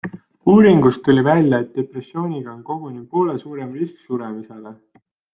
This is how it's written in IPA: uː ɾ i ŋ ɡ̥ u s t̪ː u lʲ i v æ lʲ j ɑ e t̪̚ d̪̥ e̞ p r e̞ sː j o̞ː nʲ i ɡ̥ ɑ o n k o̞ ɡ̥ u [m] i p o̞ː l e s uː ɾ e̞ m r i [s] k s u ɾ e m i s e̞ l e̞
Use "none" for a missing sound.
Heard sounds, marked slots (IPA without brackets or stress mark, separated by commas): n, s